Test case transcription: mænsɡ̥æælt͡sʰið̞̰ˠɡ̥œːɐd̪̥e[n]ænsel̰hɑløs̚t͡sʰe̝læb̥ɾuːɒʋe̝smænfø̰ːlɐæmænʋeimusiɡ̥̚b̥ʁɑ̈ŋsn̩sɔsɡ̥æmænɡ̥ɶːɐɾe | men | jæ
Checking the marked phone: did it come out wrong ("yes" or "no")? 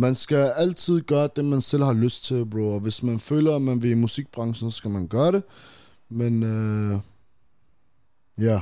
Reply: yes